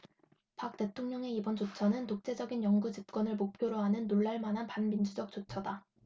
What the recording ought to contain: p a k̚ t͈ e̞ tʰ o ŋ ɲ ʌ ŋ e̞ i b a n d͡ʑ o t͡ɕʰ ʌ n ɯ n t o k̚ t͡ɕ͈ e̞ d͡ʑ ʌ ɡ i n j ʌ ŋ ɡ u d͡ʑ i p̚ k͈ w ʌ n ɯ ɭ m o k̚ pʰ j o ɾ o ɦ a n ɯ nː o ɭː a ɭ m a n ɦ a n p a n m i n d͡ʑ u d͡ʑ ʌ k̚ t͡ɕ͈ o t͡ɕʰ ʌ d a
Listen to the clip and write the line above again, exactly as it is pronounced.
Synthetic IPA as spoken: p a k̚ t͈ e̞ tʰ o ŋ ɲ ʌ ŋ e̞ i b ʌ n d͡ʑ o t͡ɕʰ ʌ n ɯ n t o k̚ t͡ɕ͈ e̞ d͡ʑ ʌ ɡ i n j ʌ ŋ ɡ u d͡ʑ i p̚ k͈ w ʌ n ɯ ɭ m o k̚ pʰ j o ɾ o ɦ a n ɯ nː o ɭː a ɭ m a n ɦ a n p a n m i n d͡ʑ u d͡ʑ ʌ k̚ t͡ɕ͈ o t͡ɕʰ ʌ d a